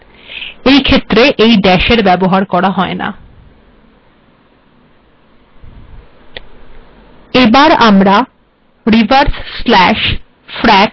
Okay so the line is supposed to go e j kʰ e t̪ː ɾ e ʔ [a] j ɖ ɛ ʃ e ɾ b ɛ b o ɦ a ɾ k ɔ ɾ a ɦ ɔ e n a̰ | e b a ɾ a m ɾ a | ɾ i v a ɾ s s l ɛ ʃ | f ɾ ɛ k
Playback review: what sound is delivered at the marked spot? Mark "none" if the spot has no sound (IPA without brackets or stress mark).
e